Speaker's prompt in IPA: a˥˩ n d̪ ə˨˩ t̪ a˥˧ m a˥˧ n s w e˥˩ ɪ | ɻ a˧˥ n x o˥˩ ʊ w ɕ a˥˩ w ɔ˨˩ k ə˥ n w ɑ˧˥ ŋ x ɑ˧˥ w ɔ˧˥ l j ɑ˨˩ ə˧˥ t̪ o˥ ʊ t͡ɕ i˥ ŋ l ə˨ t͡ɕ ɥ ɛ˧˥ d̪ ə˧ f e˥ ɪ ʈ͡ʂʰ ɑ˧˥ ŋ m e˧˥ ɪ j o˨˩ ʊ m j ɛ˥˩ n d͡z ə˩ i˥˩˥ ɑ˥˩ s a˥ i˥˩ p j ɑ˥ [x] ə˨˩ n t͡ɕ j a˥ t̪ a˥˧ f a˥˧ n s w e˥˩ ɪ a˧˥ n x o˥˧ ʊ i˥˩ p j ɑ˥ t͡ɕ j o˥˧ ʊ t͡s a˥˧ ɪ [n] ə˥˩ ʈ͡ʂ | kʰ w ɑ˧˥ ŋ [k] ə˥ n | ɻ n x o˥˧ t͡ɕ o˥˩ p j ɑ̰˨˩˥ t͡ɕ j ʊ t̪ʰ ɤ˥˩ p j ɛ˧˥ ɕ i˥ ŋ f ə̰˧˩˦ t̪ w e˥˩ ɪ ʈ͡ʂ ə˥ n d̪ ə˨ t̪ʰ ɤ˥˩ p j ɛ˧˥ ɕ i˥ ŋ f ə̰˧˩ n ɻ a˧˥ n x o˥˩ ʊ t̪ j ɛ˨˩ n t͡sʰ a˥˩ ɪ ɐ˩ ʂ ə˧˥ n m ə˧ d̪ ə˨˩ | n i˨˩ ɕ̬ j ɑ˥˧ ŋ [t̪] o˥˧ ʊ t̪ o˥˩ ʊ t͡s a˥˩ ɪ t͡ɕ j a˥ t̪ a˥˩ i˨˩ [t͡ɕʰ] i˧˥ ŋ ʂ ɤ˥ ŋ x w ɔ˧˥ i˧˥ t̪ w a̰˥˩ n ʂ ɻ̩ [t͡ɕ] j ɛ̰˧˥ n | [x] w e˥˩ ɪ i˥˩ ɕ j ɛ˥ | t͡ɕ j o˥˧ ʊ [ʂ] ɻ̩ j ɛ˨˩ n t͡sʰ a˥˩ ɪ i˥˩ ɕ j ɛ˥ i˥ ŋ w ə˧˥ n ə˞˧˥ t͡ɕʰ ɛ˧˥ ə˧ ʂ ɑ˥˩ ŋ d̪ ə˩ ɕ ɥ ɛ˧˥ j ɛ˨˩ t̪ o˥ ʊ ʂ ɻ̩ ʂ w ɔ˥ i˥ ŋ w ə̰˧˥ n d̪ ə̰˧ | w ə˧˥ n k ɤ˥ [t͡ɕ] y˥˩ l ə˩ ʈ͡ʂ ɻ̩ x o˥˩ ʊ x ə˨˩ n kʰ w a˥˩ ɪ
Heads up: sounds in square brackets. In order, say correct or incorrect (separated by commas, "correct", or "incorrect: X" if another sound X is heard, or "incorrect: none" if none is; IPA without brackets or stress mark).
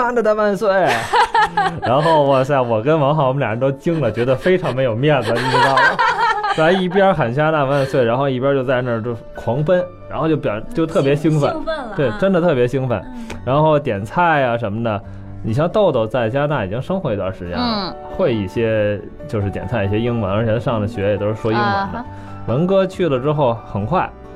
correct, correct, incorrect: p, correct, incorrect: t͡ɕ, correct, correct, correct, incorrect: t͡ɕʰ